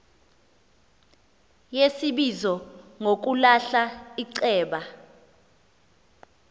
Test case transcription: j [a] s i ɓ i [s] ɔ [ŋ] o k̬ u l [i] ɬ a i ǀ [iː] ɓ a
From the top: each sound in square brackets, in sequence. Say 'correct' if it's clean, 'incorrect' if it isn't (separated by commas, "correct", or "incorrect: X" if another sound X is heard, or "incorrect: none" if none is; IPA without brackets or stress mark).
incorrect: e, incorrect: z, correct, incorrect: a, incorrect: ɛː